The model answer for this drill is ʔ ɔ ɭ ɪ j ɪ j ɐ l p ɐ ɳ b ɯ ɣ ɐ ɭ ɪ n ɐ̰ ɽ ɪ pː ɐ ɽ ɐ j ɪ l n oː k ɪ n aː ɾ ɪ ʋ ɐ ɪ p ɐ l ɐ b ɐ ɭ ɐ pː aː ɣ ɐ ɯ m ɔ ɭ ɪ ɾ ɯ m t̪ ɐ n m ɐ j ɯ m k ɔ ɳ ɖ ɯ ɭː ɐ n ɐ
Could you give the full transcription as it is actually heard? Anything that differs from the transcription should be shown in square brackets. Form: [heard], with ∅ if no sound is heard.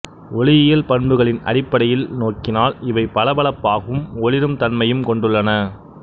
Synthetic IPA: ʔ ɔ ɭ ɪ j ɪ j ɐ l p ɐ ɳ b ɯ ɣ ɐ ɭ ɪ n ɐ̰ ɽ ɪ pː ɐ ɽ ɐ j ɪ l n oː k ɪ n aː [l] ɪ ʋ ɐ ɪ p ɐ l ɐ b ɐ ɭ ɐ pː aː ɣ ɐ ɯ m ɔ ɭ ɪ ɾ ɯ m t̪ ɐ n m ɐ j ɯ m k ɔ ɳ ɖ ɯ ɭː ɐ n ɐ